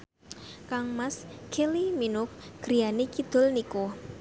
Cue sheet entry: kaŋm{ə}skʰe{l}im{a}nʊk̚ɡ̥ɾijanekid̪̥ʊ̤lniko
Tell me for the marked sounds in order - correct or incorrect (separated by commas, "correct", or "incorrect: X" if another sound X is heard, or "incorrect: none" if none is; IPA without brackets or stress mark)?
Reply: incorrect: a, correct, incorrect: i